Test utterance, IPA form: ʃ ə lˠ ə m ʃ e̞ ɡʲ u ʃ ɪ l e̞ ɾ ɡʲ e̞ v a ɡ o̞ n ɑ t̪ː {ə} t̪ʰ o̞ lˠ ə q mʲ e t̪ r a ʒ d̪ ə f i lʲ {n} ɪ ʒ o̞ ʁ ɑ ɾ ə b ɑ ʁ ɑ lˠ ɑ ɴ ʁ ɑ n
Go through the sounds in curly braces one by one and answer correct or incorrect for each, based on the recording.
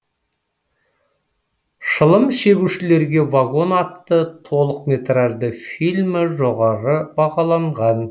correct, incorrect: m

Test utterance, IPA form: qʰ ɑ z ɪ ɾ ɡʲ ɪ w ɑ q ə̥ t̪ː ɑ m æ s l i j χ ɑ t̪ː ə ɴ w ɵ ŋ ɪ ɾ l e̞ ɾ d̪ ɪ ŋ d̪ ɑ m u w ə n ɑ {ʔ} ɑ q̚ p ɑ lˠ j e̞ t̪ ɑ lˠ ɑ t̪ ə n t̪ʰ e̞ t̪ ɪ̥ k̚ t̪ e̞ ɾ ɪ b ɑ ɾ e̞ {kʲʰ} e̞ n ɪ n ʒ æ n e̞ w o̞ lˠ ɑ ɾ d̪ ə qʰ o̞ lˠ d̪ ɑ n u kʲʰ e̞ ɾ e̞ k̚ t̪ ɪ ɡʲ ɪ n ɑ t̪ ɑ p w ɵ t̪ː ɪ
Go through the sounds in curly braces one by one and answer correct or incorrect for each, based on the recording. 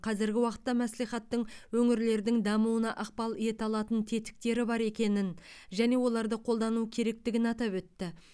correct, incorrect: kʲ

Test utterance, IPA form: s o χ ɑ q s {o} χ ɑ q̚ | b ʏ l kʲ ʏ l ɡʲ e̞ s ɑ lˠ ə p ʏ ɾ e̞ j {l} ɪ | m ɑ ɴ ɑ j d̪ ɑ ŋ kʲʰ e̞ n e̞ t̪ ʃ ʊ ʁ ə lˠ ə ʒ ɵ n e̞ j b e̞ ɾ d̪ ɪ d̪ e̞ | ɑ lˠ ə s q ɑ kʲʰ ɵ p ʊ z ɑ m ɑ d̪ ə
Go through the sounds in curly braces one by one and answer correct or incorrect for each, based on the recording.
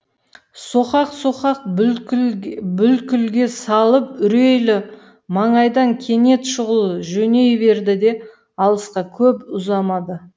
correct, correct

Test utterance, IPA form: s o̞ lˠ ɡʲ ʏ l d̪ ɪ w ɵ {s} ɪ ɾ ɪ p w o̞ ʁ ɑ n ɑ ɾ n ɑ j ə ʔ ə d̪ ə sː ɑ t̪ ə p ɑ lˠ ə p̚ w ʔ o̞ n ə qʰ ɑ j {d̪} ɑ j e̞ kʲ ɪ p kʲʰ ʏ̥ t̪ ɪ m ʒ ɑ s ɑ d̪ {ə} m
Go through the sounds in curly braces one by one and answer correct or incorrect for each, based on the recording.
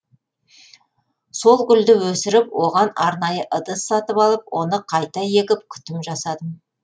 correct, incorrect: t̪, correct

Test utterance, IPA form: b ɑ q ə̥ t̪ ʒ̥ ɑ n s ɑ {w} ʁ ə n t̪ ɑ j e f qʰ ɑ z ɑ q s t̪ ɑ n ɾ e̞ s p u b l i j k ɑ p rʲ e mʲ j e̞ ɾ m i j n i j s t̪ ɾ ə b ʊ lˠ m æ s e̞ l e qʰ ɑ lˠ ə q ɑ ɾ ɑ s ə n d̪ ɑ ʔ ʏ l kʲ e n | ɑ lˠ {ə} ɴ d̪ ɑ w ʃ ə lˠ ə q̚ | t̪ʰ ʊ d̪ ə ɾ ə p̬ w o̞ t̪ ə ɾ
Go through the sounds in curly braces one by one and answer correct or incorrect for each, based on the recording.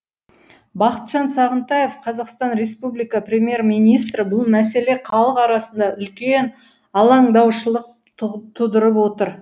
incorrect: none, incorrect: ɑ

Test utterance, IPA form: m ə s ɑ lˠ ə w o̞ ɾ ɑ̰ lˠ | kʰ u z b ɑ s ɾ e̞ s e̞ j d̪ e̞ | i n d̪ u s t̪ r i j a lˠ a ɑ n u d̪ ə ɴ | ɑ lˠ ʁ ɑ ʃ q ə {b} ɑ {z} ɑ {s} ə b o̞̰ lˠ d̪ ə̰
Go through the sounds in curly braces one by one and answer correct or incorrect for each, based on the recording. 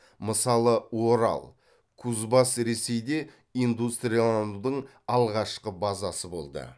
correct, correct, correct

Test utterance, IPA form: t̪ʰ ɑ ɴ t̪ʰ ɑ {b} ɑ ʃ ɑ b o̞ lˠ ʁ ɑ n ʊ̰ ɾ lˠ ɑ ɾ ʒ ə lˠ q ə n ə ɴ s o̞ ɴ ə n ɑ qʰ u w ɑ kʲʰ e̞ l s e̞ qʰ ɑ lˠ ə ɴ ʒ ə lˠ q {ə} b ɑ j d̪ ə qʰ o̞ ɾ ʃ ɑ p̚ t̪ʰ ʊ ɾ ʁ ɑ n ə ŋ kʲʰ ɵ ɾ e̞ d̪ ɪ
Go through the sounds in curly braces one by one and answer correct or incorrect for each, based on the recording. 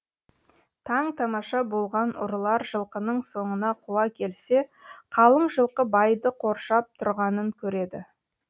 incorrect: m, correct

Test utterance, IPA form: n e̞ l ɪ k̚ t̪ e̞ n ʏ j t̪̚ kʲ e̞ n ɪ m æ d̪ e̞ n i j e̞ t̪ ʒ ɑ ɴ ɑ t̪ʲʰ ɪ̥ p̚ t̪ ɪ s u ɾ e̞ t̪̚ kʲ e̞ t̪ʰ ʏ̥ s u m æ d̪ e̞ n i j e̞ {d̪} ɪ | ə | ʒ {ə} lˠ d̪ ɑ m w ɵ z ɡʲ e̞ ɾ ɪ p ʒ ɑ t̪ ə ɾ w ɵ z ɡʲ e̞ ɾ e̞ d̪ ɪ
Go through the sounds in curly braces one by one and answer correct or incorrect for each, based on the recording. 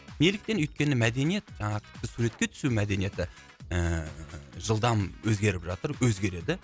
incorrect: t̪, correct

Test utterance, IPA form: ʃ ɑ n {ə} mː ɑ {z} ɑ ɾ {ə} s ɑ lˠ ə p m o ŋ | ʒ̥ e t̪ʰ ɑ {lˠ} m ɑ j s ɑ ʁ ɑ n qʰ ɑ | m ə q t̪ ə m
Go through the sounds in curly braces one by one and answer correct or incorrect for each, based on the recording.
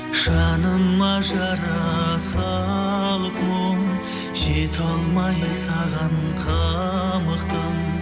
correct, incorrect: ʒ, incorrect: ɑ, correct

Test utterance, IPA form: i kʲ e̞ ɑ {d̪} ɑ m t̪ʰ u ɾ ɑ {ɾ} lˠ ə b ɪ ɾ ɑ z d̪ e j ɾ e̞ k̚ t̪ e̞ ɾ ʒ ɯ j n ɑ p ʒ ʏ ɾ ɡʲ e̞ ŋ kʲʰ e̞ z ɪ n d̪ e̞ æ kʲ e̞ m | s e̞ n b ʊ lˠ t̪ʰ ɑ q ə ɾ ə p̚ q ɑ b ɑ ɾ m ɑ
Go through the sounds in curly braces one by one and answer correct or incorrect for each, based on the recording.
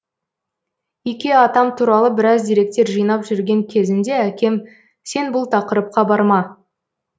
incorrect: t̪, incorrect: none

